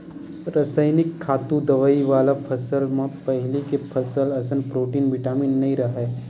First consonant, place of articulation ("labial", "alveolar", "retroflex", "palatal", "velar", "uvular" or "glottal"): alveolar